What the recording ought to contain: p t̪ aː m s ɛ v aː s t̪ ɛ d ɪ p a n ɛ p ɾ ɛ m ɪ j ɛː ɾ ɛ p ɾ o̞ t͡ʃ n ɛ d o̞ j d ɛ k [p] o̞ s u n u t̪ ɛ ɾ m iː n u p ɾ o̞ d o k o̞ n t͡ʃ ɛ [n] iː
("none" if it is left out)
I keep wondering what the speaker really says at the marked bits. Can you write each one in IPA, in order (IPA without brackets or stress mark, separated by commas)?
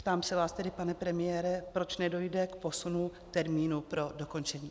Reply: p, ɲ